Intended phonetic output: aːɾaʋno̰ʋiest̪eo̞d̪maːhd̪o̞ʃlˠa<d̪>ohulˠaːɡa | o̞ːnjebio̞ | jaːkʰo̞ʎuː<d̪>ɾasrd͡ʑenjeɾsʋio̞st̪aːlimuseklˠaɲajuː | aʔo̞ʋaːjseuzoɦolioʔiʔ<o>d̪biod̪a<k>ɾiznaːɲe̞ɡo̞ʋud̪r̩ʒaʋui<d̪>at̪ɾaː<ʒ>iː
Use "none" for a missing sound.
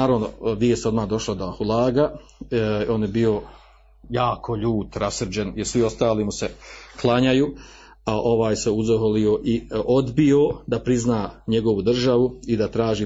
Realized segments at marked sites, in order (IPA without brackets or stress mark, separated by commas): d̪, t̪, o, p, d̪, ʒ